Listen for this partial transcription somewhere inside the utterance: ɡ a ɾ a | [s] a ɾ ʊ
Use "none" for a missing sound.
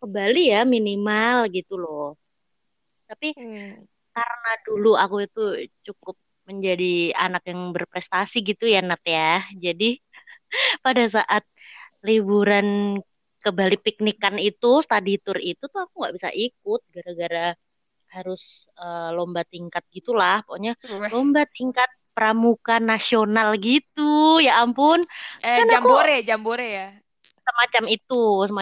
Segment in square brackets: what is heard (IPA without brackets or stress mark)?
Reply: h